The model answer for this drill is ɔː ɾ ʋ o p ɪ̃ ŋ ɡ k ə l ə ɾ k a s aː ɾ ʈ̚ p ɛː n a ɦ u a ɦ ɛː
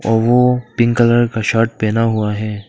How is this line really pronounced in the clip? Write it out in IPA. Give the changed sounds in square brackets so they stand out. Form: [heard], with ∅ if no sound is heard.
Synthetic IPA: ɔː ɾ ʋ o p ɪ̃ ŋ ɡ k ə l ə ɾ k a [ʃ] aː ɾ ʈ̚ p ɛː n a ɦ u a ɦ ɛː